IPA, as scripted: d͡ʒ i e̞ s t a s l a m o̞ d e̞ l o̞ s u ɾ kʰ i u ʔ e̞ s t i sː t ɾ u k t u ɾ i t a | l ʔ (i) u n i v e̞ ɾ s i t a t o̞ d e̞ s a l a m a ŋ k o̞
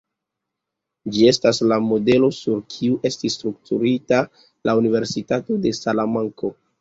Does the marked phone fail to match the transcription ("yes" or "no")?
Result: yes